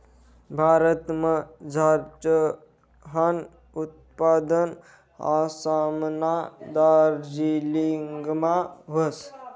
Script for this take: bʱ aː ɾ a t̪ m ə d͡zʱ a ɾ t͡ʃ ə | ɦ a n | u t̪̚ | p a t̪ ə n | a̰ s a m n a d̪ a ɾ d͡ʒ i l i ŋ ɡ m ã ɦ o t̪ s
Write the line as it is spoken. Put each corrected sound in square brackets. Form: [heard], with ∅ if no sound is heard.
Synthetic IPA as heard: bʱ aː ɾ [ə] t̪ m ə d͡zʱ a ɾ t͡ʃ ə | ɦ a n | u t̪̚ | p a [d̪] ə n | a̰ s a m n a d̪ a ɾ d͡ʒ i l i ŋ ɡ m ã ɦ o [∅] s